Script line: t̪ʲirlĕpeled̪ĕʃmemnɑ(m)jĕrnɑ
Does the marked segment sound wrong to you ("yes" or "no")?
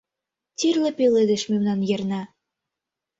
yes